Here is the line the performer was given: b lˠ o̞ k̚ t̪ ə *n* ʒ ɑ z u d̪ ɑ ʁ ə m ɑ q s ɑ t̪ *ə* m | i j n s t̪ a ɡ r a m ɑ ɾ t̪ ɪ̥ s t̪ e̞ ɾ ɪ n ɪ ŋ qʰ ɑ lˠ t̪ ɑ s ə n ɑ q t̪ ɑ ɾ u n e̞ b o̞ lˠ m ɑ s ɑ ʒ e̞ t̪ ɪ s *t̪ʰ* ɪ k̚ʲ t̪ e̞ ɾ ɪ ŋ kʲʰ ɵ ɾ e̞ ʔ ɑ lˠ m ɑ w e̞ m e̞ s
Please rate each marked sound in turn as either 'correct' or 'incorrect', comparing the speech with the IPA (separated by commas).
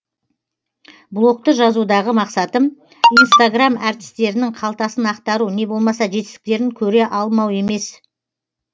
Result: incorrect, correct, incorrect